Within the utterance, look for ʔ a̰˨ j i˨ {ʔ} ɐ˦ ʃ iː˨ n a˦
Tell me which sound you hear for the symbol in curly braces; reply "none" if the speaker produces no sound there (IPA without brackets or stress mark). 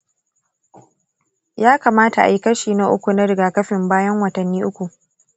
k